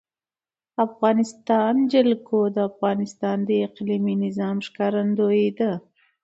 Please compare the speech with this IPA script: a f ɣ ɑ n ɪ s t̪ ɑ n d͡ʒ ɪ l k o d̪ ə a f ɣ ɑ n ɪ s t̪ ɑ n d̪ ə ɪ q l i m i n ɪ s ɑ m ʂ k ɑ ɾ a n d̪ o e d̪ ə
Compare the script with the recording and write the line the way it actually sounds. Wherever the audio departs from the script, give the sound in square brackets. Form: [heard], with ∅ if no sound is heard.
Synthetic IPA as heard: a f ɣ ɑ n ɪ s t̪ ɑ n d͡ʒ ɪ l k o d̪ ə a f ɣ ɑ n ɪ s t̪ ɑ n d̪ ə ɪ q l i m i n ɪ [z] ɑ m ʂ k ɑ ɾ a n d̪ o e d̪ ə

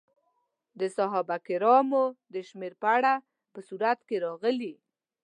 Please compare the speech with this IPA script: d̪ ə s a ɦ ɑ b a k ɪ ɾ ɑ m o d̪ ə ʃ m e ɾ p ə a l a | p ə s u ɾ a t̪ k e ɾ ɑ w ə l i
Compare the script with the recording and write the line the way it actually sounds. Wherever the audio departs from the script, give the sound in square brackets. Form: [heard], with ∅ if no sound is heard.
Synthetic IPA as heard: d̪ ə s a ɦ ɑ b a k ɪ ɾ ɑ m o d̪ ə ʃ m e ɾ p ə a [ɽ] a | p ə s u ɾ a t̪ k e ɾ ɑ [ɣ] ə l i

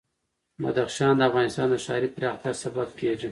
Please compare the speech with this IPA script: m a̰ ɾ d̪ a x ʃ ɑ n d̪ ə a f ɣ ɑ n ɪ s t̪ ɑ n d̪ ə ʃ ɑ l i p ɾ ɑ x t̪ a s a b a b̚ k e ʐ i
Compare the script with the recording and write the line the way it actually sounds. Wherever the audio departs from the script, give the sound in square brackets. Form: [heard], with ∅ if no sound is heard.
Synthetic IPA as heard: m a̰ [∅] d̪ a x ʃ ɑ n d̪ ə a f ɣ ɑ n ɪ s t̪ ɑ n d̪ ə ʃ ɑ [ɾ] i p ɾ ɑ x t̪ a s a b a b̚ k e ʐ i

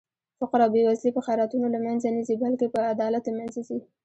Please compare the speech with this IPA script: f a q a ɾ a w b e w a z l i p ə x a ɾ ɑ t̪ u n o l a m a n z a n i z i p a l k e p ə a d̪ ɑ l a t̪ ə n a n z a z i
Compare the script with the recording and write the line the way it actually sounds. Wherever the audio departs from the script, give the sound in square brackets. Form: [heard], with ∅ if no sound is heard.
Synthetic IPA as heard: f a q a ɾ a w b e w a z l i p ə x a ɾ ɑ t̪ u n o l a m a n z a n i z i [b] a l k e p ə a d̪ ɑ l a t̪ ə [m] a n z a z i

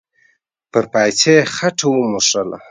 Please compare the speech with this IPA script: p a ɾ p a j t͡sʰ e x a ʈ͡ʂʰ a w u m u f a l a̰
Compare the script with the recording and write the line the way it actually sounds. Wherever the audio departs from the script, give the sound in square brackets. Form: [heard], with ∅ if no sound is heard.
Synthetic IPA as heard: p [ə] ɾ p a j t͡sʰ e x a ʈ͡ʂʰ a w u m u [ʂ] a l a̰

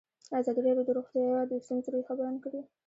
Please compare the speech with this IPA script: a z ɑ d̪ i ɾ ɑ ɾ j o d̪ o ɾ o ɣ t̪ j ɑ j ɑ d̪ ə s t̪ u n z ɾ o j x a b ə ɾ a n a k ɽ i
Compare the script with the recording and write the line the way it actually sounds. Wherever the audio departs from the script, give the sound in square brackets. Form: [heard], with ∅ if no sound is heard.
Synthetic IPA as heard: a z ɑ d̪ i ɾ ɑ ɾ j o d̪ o ɾ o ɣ t̪ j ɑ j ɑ d̪ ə s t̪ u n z ɾ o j x a b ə ɾ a n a k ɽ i

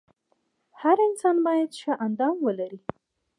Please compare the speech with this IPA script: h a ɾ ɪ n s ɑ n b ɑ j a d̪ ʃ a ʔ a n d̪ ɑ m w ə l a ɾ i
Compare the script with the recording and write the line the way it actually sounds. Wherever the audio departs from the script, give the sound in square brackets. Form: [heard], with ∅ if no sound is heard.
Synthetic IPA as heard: h a ɾ ɪ n s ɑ n b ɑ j a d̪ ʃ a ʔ a n d̪ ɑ m w ə l a ɾ i

